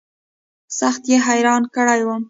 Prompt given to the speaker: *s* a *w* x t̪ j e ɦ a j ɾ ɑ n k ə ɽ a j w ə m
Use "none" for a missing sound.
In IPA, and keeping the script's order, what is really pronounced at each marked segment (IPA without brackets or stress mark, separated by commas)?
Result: s, none